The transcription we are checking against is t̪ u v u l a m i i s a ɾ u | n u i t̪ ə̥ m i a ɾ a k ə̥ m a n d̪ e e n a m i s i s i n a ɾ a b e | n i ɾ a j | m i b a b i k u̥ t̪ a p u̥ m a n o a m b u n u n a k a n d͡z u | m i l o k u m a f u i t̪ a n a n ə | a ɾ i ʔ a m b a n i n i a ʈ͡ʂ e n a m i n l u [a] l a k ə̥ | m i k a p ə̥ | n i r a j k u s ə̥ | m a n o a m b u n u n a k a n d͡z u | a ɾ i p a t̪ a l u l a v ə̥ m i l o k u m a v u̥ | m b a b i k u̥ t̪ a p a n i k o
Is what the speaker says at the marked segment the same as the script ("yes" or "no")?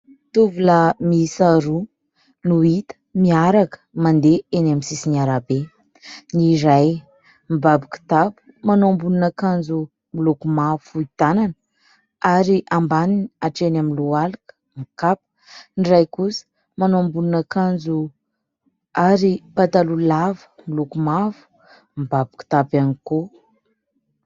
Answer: yes